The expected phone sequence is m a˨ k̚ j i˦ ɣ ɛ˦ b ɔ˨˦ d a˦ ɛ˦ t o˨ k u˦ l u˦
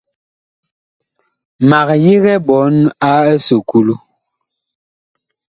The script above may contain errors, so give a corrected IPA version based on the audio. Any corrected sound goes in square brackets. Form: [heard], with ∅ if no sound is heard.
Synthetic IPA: m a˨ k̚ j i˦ ɣ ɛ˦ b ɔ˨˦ [n] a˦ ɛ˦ [s] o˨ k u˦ l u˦